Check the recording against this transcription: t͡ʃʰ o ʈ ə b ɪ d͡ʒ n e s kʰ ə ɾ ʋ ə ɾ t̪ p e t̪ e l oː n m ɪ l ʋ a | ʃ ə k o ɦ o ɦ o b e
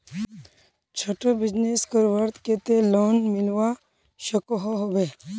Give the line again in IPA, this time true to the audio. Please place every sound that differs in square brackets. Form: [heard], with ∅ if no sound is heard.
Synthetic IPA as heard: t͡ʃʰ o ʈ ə b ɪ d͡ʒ n e s [k] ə ɾ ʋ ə ɾ t̪ [k] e t̪ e l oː n m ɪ l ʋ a | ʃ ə k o ɦ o ɦ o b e